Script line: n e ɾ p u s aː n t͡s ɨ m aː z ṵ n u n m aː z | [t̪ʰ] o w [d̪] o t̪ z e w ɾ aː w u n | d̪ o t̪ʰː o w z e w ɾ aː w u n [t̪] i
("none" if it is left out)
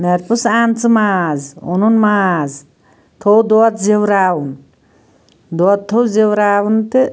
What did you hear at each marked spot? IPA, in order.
t̪ʰ, d̪, t̪

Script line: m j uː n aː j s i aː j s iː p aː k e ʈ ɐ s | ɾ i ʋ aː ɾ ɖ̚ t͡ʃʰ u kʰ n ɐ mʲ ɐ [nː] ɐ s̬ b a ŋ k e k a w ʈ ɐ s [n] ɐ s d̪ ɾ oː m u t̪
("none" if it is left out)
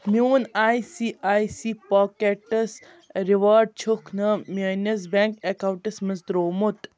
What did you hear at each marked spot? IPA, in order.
n, m

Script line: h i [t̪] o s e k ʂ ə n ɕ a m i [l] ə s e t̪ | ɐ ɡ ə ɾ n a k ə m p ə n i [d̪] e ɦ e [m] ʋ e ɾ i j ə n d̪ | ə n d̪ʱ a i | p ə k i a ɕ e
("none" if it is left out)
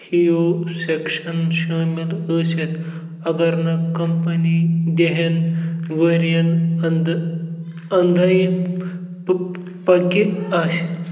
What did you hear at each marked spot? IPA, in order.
none, l, d̪, n

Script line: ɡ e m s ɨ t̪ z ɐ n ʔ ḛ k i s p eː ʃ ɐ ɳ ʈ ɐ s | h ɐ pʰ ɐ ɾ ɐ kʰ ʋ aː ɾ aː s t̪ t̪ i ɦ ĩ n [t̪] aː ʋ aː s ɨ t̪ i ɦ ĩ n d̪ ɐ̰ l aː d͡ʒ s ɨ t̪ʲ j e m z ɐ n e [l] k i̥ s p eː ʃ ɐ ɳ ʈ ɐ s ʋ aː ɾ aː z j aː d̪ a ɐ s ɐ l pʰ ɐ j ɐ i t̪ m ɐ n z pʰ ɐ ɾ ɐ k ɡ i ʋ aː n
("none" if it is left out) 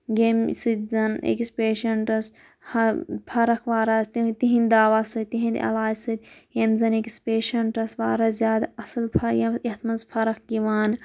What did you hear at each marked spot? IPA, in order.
d̪, none

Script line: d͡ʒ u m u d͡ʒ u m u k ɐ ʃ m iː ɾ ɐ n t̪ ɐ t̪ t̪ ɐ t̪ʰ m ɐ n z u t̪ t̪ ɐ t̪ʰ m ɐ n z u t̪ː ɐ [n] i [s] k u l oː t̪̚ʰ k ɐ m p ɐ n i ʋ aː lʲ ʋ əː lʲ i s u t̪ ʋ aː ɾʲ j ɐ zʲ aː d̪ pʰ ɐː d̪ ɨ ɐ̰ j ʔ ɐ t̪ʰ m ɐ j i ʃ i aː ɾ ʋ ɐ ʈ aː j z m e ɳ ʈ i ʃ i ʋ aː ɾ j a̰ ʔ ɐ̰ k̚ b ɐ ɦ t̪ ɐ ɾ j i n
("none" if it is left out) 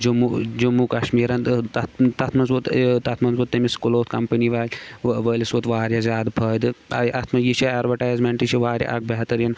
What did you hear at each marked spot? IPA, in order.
m, s

